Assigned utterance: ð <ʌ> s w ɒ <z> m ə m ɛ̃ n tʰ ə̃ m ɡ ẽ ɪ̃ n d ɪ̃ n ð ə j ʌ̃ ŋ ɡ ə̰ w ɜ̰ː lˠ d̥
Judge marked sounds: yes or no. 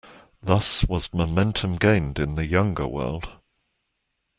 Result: yes, yes

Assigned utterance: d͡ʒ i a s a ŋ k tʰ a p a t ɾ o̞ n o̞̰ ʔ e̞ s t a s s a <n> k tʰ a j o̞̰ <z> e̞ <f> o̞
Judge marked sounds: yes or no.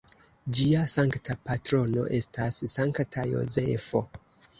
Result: no, yes, yes

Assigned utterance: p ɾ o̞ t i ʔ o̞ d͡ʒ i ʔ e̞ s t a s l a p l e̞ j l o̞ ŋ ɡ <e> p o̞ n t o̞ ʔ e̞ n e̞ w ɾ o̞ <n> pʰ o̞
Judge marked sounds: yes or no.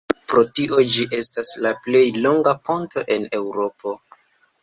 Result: no, no

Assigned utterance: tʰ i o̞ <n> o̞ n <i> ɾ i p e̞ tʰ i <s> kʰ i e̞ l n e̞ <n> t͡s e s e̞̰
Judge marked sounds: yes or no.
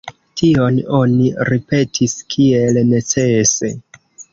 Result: yes, yes, yes, no

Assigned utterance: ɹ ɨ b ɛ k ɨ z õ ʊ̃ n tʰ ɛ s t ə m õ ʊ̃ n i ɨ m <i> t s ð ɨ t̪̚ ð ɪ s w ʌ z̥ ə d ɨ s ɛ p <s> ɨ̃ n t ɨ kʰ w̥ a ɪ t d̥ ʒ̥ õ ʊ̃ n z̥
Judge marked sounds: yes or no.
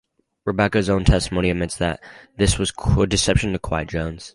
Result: no, no

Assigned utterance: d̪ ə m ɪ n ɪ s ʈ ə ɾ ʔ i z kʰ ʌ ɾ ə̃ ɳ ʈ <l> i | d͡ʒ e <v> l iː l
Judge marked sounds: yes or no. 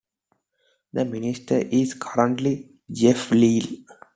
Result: yes, no

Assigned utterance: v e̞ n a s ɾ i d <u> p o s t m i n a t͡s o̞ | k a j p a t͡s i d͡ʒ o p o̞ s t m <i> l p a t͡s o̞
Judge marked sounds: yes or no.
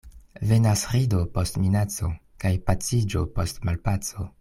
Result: no, no

